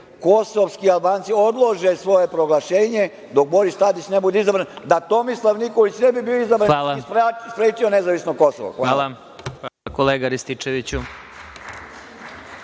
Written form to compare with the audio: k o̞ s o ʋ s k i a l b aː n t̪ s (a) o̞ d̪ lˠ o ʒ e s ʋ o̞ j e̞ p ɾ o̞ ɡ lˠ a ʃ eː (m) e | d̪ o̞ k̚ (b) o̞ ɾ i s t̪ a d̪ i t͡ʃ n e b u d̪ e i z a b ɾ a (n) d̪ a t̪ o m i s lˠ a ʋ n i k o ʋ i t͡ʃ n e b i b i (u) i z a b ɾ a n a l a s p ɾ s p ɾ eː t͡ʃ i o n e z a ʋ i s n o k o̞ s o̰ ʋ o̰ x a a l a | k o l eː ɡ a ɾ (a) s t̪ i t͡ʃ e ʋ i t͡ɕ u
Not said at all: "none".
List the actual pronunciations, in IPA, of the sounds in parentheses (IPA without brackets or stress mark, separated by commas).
i, ɲ, b, n, o, i